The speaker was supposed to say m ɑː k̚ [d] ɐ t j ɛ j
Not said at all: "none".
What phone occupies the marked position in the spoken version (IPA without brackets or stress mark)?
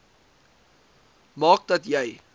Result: d